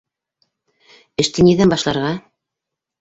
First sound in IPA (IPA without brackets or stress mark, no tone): ɘ̆